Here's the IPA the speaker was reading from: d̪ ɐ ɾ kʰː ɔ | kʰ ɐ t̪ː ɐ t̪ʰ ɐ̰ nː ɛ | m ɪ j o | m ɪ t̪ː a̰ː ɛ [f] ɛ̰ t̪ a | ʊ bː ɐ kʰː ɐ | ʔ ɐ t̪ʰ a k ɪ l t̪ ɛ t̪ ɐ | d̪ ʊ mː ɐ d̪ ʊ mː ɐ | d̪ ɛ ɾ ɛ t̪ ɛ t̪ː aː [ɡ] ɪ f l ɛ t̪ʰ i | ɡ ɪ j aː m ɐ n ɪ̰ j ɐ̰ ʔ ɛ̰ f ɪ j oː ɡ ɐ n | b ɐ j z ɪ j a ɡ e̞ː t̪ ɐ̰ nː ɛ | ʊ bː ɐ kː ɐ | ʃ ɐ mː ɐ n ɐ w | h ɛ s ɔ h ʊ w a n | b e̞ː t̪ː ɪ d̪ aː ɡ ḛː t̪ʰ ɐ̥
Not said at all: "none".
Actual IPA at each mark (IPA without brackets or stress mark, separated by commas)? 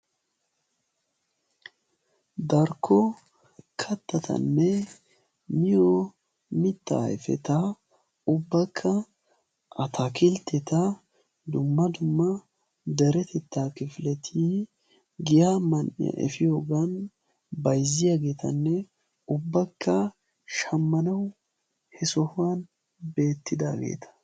f, k